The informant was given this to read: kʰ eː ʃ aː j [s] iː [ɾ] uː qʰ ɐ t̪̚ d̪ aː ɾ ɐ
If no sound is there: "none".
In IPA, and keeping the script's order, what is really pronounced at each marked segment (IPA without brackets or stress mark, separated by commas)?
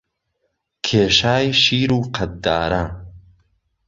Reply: ʃ, ɾ